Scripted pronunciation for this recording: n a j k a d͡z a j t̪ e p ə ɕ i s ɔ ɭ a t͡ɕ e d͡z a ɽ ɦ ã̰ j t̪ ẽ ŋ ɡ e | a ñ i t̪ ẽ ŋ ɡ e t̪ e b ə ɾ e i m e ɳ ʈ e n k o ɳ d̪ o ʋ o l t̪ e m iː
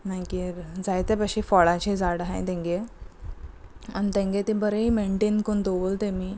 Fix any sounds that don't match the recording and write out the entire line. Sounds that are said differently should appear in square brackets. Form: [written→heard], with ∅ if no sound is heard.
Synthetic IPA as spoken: n a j k [a→i] d͡z a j t̪ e p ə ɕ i [s→f] ɔ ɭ a t͡ɕ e d͡z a ɽ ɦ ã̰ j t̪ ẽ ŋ ɡ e | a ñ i t̪ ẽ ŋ ɡ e t̪ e b ə ɾ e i m e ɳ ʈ e n k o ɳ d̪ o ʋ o l t̪ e m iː